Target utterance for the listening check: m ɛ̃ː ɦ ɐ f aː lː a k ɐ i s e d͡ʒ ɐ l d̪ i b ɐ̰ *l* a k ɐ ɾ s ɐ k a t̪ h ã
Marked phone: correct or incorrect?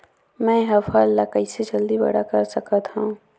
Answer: incorrect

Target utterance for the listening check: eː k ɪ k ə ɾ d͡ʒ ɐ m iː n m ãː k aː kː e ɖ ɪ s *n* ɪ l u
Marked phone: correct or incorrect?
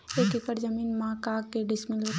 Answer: incorrect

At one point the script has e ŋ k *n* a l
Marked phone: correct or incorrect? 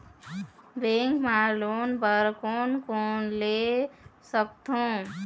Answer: incorrect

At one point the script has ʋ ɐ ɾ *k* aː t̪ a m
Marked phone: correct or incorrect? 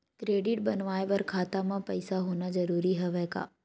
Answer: incorrect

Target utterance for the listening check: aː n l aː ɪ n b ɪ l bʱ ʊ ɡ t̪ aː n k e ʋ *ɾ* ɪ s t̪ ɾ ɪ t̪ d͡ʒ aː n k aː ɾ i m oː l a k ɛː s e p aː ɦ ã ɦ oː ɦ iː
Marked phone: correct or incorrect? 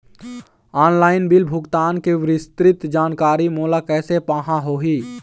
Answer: correct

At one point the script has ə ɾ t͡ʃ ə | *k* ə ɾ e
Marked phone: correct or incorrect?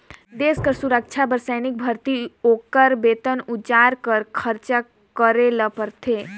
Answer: correct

